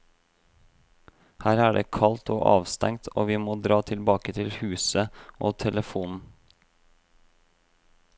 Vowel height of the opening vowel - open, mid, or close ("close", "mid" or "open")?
open